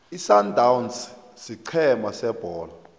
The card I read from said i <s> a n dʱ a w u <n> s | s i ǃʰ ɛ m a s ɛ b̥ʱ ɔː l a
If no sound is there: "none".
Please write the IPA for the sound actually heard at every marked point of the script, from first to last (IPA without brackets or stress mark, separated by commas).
s, n